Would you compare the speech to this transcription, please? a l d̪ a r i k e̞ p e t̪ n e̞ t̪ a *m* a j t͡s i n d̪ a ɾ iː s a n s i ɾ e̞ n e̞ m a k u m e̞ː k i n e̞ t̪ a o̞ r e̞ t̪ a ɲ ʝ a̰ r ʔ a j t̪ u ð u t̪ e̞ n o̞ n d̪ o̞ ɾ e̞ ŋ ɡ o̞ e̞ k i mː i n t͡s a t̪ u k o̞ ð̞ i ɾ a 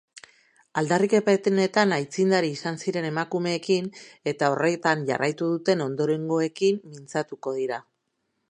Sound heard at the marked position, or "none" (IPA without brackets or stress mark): n